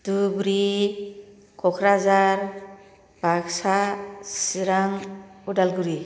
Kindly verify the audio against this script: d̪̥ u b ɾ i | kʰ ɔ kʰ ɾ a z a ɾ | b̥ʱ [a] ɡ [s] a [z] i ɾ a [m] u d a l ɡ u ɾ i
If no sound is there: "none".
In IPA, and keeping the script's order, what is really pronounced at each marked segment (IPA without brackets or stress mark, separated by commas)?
a, s, s, ŋ